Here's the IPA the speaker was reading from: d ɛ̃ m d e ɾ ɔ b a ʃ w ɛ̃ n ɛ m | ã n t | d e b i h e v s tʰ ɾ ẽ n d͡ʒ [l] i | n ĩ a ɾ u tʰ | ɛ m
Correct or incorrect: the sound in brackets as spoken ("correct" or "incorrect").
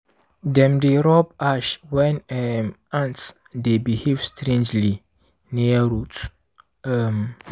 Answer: correct